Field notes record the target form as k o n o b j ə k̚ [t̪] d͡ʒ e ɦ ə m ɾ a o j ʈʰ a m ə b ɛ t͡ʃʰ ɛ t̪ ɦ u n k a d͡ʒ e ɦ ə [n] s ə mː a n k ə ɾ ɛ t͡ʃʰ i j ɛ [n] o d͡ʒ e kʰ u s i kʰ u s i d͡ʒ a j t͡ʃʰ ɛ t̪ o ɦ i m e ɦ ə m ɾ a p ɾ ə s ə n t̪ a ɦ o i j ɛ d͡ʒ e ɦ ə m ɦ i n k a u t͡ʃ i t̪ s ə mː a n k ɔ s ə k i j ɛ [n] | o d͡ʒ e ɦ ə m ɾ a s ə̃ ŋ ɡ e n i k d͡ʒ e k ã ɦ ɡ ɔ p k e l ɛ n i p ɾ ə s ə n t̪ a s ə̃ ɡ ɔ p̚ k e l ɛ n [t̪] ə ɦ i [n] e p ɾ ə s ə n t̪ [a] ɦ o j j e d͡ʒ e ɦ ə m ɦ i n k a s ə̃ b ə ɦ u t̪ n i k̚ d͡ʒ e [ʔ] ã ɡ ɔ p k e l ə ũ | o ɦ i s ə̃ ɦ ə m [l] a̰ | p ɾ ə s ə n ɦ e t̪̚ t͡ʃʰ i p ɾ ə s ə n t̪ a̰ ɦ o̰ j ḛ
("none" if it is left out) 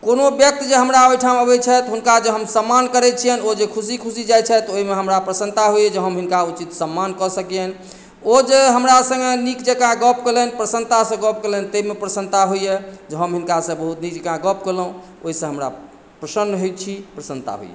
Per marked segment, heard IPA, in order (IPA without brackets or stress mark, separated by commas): t̪, m, n, n, t̪, m, a, k, ɾ